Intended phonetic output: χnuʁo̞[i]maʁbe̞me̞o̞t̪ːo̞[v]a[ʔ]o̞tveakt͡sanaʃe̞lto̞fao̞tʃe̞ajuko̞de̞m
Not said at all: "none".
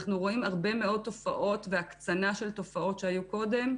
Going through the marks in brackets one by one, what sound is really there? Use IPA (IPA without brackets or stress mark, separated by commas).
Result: i, f, ʔ